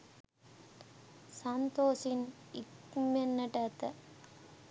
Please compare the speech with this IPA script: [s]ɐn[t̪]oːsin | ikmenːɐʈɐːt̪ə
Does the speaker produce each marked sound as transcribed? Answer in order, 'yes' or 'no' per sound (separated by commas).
yes, yes